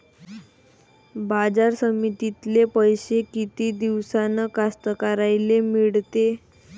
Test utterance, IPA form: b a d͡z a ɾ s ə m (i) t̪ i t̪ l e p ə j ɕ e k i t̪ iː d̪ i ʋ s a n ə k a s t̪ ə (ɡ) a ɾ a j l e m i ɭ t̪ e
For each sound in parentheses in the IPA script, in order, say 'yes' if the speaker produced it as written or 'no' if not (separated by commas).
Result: yes, no